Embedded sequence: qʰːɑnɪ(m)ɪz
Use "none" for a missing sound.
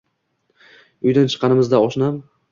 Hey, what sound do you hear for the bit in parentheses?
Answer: m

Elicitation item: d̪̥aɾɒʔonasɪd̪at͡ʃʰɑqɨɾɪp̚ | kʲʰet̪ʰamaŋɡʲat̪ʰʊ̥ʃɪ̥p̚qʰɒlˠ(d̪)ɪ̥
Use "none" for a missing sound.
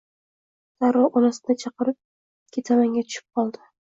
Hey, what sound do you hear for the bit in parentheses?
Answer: d̪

